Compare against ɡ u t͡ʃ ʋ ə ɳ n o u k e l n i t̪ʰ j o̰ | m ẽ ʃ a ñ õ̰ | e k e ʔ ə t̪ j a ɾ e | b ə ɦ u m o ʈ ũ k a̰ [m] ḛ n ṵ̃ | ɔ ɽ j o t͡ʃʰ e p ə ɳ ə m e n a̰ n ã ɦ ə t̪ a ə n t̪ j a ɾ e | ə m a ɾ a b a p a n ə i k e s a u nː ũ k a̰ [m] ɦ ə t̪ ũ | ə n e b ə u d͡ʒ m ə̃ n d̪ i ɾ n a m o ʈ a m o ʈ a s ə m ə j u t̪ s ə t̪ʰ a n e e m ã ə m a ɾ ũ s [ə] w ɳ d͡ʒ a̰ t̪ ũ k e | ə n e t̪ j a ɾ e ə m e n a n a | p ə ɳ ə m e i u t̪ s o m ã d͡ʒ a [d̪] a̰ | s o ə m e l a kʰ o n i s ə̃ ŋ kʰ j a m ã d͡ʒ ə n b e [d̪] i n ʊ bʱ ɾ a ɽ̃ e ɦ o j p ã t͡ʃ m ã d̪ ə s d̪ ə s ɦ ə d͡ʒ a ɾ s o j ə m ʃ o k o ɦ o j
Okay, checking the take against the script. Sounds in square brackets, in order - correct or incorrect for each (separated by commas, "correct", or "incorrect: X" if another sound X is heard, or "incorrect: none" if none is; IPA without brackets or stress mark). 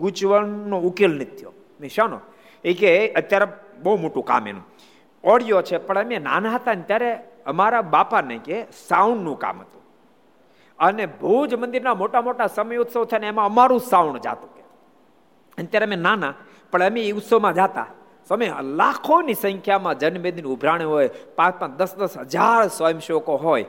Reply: correct, correct, incorrect: a, incorrect: t̪, correct